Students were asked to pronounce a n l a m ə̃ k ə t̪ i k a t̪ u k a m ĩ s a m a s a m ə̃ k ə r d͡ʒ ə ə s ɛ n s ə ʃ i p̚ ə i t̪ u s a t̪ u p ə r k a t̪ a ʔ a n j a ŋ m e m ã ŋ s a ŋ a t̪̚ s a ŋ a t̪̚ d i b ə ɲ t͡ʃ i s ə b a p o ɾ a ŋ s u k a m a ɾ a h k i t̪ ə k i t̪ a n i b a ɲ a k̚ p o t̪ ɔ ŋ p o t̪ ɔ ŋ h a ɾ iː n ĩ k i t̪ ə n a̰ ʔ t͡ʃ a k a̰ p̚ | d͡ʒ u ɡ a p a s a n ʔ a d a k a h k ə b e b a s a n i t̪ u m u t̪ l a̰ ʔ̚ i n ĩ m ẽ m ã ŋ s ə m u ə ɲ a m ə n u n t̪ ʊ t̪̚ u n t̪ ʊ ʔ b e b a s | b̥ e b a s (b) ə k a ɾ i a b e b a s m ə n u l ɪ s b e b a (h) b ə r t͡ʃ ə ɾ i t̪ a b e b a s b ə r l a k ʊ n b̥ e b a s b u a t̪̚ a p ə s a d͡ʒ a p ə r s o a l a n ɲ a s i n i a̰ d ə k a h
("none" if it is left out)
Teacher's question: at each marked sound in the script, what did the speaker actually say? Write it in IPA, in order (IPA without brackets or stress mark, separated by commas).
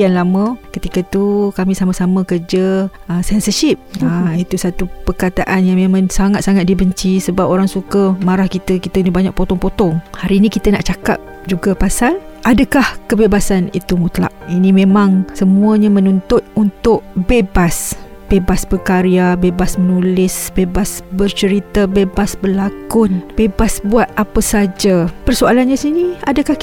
b, s